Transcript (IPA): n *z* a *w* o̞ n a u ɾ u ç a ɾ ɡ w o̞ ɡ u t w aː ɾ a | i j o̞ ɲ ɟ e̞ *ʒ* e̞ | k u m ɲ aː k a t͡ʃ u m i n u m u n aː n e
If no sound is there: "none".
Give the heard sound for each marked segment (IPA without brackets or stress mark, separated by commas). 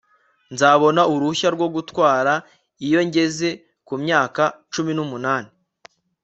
z, β, z